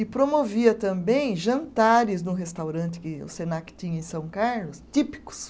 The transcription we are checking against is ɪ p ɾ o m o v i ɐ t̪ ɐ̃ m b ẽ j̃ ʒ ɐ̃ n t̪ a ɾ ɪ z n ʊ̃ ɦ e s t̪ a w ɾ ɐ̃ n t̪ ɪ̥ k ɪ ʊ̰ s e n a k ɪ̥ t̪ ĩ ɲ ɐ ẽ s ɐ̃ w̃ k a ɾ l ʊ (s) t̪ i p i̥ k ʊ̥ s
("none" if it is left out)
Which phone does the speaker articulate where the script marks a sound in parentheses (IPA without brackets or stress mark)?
s